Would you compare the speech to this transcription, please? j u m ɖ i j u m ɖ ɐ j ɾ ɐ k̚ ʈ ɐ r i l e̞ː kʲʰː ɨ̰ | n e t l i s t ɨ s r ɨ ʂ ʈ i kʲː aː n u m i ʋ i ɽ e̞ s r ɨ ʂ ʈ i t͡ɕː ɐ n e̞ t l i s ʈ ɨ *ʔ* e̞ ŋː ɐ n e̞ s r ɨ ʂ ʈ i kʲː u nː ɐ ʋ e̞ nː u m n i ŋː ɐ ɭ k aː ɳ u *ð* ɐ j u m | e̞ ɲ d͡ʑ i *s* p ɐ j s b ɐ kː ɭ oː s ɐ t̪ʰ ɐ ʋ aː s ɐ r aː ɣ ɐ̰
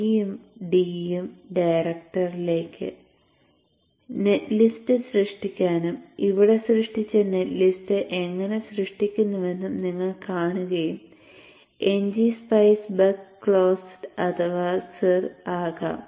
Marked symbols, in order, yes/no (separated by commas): yes, no, yes